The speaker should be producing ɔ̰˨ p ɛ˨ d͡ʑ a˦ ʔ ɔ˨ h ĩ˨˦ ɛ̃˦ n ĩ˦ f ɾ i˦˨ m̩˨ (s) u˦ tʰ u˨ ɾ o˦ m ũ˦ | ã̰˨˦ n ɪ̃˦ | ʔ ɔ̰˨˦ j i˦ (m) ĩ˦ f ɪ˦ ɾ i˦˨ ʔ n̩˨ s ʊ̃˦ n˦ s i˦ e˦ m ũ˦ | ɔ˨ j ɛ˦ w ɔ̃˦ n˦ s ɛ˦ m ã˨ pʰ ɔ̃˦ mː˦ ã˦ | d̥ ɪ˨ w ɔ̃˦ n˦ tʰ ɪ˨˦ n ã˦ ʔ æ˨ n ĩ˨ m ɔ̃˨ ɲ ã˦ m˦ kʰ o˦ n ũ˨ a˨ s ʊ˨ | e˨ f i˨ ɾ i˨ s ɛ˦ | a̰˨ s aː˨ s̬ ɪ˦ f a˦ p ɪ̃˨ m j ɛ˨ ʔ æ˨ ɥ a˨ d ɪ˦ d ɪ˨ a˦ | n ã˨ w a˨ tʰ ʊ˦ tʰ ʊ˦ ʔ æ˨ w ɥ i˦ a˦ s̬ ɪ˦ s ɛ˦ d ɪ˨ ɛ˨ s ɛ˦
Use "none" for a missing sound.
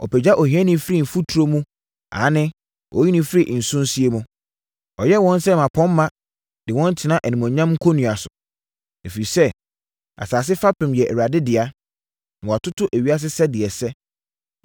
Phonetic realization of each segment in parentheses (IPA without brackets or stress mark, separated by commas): f, n